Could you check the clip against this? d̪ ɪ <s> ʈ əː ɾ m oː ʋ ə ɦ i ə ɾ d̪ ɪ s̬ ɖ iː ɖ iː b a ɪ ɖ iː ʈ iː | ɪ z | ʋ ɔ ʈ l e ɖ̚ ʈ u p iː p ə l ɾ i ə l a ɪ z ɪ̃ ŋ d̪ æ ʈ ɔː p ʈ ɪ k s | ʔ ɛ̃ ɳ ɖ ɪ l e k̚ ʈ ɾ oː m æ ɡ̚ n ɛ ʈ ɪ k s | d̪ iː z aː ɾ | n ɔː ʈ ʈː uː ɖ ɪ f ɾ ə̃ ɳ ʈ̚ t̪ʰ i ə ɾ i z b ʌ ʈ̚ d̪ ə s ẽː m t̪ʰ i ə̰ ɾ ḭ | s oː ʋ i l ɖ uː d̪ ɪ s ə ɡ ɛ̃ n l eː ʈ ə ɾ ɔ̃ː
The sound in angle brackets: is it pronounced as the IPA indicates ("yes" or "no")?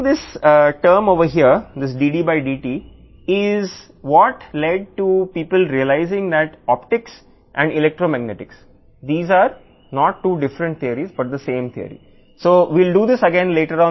yes